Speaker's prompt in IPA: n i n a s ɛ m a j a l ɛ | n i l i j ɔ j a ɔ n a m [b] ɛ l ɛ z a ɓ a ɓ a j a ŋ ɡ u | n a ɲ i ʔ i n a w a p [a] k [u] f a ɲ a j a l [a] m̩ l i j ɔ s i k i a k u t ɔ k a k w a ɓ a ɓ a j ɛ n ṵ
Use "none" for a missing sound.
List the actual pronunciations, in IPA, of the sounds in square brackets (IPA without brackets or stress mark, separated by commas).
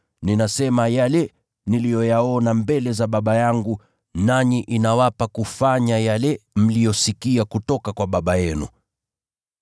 b, a, u, ɛ